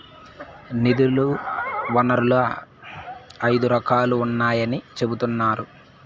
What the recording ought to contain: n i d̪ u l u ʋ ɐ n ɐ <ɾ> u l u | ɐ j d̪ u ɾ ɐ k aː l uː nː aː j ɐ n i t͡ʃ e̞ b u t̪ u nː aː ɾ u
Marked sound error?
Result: no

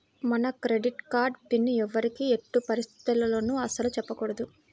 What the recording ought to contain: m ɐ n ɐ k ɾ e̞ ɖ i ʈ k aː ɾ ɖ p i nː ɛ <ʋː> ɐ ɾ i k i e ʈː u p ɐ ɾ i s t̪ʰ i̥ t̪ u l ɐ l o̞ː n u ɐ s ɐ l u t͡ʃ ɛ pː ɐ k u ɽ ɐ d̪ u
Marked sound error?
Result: no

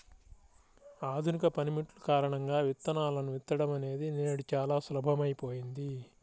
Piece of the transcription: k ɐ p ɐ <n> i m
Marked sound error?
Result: no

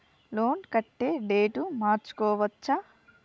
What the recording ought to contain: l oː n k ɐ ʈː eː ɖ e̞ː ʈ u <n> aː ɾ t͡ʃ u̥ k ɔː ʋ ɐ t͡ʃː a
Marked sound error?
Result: yes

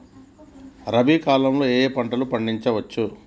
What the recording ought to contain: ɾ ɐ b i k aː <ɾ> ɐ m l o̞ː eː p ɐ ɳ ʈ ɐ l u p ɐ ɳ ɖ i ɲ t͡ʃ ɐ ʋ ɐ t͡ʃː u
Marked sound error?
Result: yes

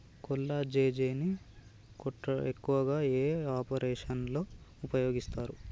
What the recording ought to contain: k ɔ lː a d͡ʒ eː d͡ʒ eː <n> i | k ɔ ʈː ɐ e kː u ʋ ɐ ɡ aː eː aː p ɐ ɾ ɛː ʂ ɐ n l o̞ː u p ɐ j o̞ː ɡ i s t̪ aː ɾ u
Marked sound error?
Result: no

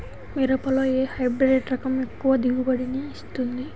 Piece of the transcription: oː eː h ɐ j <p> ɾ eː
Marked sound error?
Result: yes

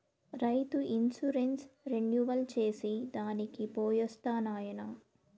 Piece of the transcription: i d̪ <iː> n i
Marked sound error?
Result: yes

